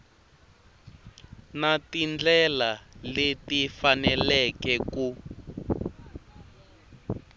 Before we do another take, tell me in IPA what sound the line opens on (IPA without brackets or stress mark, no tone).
n